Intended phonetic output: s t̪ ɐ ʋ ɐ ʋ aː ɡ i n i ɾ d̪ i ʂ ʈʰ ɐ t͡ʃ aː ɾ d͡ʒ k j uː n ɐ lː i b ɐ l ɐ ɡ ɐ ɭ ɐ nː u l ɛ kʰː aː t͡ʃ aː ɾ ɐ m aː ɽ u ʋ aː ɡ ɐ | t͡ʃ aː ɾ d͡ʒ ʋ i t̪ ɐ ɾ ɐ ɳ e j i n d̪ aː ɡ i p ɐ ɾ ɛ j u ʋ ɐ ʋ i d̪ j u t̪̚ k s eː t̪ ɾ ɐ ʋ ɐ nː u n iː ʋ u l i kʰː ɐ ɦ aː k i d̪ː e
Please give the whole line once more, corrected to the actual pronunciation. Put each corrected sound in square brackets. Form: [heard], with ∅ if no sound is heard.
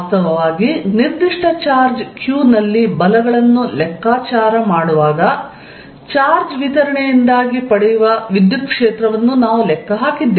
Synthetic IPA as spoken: s t̪ ɐ ʋ ɐ ʋ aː ɡ i n i ɾ d̪ i ʂ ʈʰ ɐ t͡ʃ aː ɾ d͡ʒ k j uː n ɐ lː i b ɐ l ɐ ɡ ɐ ɭ ɐ nː u l ɛ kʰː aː t͡ʃ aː ɾ ɐ m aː ɽ u ʋ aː ɡ ɐ | t͡ʃ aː ɾ d͡ʒ ʋ i t̪ ɐ ɾ ɐ ɳ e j i n d̪ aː ɡ i p ɐ [ɽ] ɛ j u ʋ ɐ ʋ i d̪ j u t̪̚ k [ʂ] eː t̪ ɾ ɐ ʋ ɐ nː u n [aː] ʋ u l [ɛ] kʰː ɐ ɦ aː k i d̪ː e